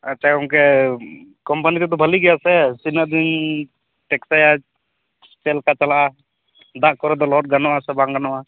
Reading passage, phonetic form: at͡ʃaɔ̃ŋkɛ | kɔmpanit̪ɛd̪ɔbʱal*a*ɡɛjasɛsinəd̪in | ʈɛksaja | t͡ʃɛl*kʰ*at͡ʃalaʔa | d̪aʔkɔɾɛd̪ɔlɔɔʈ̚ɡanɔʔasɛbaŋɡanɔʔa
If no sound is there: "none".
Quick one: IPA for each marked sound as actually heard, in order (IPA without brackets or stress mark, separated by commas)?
i, k